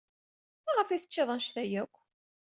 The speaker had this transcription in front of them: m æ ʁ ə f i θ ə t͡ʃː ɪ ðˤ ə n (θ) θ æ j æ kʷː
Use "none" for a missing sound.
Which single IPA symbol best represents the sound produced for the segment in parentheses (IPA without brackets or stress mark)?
ʃ